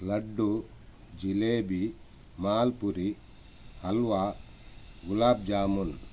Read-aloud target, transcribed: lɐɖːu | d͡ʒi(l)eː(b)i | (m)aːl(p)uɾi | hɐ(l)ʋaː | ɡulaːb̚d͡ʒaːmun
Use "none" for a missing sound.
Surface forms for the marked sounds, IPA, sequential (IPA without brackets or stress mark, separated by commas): l, b, m, p, l